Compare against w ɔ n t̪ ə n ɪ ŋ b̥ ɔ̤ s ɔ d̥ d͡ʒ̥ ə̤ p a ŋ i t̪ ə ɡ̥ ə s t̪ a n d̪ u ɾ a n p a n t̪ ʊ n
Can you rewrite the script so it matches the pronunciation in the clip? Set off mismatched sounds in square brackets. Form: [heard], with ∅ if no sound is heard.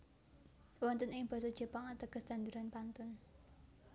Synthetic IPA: w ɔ n t̪ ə n ɪ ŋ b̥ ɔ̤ s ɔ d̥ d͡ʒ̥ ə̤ p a ŋ [a] t̪ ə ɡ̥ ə s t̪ a n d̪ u ɾ a n p a n t̪ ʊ n